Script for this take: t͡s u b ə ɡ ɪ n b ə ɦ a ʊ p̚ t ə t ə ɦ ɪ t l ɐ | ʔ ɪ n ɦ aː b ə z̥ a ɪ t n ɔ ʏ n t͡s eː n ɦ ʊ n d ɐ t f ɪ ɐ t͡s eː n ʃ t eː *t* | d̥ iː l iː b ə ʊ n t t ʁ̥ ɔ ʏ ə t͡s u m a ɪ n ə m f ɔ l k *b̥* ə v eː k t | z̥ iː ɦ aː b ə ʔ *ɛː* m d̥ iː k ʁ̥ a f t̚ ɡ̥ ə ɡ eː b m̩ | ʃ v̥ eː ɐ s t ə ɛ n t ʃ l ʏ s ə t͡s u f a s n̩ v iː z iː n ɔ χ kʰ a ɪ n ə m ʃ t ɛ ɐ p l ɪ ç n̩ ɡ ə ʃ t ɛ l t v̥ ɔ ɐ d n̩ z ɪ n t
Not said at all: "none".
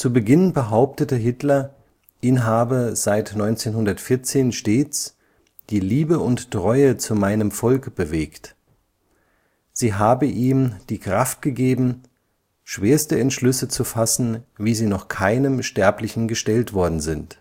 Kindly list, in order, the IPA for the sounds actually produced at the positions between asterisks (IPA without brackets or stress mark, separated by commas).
t͡s, b̥, iː